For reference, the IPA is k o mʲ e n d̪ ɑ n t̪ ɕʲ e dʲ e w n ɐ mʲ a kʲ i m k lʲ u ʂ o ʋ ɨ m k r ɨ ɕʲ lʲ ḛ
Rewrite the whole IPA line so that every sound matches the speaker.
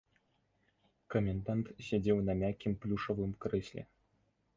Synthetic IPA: k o mʲ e n d̪ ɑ n t̪ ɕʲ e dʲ e w n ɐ mʲ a kʲ i m p lʲ u ʂ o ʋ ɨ m k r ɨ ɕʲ lʲ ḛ